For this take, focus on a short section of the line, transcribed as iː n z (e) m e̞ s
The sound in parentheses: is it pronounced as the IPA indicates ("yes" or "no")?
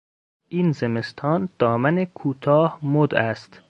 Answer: yes